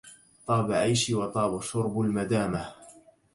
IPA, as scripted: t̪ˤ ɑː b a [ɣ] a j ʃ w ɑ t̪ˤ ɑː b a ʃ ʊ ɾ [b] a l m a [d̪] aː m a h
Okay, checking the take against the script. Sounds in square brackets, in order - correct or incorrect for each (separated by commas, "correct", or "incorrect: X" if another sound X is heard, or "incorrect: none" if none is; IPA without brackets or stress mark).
incorrect: ʕ, correct, correct